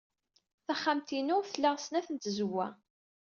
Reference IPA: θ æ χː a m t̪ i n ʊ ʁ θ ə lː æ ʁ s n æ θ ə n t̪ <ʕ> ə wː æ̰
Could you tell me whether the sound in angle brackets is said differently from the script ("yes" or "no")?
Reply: yes